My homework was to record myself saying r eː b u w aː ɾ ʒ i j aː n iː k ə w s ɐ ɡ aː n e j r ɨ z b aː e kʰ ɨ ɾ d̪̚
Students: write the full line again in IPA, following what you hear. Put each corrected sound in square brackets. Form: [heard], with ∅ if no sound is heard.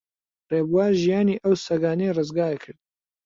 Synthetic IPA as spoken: r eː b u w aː ɾ ʒ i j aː n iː [ʔ] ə w s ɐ ɡ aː n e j r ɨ z [ɡ] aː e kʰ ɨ ɾ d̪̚